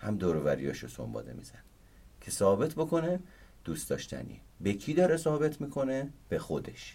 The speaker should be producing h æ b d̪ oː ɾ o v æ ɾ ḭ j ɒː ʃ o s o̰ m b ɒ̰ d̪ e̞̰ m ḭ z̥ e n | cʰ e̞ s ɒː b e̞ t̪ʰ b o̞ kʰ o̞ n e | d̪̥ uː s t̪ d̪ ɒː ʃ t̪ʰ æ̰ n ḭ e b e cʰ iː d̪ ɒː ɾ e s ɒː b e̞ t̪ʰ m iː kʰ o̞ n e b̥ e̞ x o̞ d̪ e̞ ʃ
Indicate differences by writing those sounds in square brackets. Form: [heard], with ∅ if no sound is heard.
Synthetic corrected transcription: h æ [m] d̪ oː ɾ o v æ ɾ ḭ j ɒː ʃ o s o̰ m b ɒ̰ d̪ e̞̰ m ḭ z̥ [æ] n | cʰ e̞ s ɒː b e̞ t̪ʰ b o̞ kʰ o̞ n e | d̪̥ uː s t̪ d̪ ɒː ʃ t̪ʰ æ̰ n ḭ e b e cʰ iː d̪ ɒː ɾ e s ɒː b e̞ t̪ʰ m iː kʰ o̞ n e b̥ e̞ x o̞ d̪ e̞ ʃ